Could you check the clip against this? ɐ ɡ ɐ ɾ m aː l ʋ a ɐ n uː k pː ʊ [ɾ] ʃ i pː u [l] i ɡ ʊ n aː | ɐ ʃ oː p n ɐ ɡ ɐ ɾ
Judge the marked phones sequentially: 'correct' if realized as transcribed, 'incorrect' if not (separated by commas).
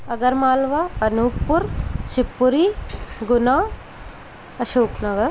correct, incorrect